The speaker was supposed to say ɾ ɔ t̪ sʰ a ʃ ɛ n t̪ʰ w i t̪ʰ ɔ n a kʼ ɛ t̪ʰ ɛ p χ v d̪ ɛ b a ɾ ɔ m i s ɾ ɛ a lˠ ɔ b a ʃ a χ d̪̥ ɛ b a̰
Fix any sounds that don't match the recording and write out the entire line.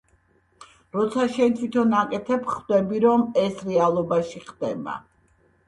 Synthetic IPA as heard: ɾ ɔ t̪ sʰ a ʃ ɛ n t̪ʰ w i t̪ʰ ɔ n a kʼ ɛ t̪ʰ ɛ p χ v d̪ ɛ b i ɾ ɔ m ɛ s ɾ ɛ a lˠ ɔ b a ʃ i χ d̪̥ ɛ b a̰